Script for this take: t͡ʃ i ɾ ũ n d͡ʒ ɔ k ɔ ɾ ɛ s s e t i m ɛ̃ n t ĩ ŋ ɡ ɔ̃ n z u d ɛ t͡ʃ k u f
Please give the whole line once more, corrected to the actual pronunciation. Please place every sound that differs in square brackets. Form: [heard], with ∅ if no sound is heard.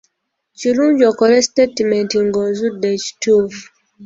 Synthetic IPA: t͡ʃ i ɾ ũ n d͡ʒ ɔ k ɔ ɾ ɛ s [t] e t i m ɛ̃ n t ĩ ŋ ɡ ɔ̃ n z u d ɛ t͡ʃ [t] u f